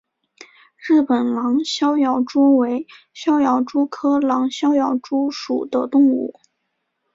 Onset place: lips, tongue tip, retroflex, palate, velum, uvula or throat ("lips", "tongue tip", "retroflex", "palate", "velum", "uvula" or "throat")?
retroflex